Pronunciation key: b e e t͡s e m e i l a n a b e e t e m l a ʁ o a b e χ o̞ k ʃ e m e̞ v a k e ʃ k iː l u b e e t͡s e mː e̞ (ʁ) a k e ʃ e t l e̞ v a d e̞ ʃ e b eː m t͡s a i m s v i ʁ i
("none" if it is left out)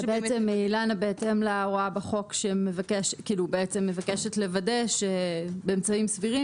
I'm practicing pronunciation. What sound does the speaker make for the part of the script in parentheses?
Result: v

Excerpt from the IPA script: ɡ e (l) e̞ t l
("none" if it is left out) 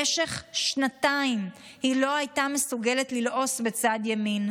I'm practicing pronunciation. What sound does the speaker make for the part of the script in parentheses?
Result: l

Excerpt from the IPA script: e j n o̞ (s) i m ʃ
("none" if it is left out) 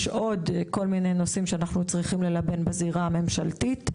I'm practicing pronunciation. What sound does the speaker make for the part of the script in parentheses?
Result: s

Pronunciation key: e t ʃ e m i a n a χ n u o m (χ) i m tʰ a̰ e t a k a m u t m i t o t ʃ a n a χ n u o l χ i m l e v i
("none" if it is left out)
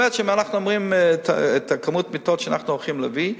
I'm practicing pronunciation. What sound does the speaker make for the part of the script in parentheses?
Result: ʁ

